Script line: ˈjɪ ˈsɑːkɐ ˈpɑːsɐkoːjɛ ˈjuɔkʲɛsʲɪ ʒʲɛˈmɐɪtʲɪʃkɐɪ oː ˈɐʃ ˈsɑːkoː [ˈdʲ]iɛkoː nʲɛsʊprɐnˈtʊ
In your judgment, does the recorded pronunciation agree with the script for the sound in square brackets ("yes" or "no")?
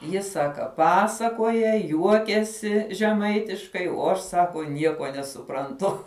no